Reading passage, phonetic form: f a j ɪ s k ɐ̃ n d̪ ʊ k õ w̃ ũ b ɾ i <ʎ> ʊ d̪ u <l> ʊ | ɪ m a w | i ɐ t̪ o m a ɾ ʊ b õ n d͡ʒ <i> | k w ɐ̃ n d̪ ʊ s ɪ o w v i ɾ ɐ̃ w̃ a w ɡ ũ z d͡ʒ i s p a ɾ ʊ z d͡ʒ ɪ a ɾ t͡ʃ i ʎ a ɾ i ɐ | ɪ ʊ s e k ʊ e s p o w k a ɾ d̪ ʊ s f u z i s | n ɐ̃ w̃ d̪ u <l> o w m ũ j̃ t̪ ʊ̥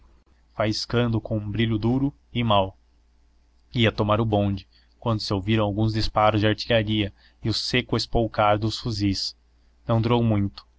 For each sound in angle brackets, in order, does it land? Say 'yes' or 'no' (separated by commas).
yes, no, no, no